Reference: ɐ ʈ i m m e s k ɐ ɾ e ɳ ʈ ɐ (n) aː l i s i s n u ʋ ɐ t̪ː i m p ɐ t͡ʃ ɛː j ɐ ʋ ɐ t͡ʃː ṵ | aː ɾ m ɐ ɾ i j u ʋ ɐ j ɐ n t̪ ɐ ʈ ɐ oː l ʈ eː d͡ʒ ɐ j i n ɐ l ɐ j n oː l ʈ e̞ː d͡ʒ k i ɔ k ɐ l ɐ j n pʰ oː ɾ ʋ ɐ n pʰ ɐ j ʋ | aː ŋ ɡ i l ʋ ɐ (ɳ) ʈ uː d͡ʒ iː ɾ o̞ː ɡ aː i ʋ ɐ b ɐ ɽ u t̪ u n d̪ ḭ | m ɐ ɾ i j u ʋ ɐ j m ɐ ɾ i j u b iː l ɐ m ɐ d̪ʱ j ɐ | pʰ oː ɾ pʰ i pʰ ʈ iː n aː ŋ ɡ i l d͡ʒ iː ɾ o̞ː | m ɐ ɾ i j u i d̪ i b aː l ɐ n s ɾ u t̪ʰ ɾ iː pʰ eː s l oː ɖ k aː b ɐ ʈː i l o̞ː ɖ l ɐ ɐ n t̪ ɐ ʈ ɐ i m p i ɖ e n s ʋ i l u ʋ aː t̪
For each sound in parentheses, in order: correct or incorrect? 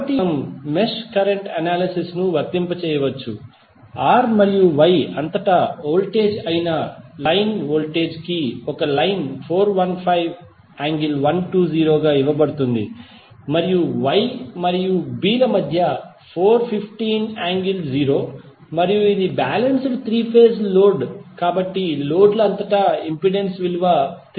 correct, incorrect

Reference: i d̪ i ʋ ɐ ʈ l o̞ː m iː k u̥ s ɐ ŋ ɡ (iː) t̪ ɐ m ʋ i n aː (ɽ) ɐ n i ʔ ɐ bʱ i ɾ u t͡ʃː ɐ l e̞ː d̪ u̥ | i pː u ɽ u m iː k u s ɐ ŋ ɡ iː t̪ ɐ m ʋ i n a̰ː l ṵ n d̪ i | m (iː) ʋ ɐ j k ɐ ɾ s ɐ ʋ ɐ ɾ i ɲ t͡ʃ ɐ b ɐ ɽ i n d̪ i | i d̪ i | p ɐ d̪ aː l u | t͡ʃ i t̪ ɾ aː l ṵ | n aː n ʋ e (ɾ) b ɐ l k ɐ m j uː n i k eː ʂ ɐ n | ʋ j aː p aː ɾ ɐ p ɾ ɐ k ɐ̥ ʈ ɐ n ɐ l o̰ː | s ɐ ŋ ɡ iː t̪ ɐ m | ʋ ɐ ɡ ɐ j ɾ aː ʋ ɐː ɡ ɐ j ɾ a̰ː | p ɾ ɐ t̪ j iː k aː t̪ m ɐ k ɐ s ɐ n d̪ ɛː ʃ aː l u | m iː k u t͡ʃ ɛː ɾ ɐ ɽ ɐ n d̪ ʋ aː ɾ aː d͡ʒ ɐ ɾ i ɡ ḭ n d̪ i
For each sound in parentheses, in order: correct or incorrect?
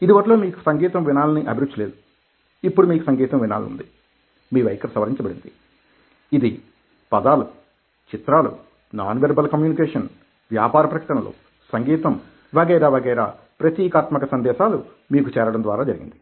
correct, incorrect, correct, correct

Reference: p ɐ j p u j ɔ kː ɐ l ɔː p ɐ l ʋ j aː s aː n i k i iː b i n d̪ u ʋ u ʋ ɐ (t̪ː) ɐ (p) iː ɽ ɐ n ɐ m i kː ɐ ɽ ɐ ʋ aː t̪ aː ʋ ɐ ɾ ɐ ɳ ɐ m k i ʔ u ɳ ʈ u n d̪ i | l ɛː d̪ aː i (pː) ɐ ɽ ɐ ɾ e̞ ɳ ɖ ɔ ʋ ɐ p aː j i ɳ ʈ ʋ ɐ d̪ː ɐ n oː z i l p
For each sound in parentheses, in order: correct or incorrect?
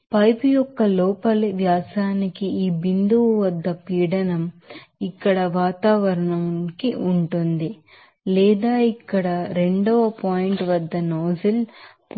incorrect, correct, incorrect

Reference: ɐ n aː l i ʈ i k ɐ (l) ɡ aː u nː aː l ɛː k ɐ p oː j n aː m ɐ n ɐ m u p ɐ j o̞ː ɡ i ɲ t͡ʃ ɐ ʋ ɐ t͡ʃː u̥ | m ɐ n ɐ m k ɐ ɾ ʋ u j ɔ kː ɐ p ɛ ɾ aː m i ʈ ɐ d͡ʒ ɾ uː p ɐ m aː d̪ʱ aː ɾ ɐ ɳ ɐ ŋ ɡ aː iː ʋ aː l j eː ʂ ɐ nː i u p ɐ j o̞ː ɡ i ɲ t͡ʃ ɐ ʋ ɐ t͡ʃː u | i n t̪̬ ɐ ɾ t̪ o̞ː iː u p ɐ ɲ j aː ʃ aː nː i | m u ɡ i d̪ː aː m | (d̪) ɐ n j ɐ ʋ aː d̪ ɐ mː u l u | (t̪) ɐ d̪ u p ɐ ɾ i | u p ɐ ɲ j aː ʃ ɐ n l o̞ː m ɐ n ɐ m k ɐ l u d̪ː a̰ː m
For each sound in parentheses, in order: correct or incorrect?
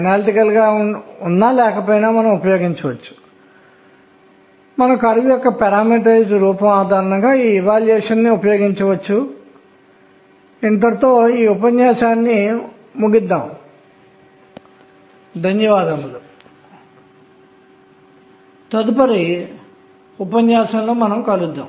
correct, correct, correct

